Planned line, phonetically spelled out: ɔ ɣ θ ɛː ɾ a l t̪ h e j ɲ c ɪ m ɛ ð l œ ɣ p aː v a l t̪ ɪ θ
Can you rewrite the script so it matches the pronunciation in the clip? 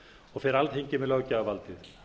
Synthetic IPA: ɔ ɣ f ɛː ɾ a l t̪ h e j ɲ c ɪ m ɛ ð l œ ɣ c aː v a l t̪ ɪ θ